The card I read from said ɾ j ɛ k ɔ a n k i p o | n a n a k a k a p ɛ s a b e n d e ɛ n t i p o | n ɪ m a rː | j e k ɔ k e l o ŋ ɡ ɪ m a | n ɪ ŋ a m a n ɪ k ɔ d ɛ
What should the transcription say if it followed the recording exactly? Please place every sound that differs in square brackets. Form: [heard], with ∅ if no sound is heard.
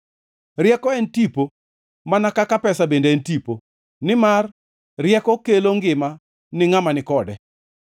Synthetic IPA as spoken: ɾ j ɛ k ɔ [ɛ] n [t] i p o | [m] a n a k a k a p ɛ s a b e n d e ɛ n t i p o | n ɪ m a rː | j [ɛ] k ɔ k e l o ŋ ɡ ɪ m a | n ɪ ŋ a m a n ɪ k ɔ d ɛ